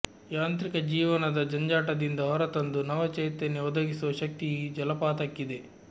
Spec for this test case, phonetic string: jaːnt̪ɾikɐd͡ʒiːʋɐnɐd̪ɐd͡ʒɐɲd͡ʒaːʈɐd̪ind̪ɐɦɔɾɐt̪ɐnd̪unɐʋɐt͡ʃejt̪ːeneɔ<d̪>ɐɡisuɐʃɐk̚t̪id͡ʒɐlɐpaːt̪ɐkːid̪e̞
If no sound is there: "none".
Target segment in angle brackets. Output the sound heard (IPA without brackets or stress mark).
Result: d̪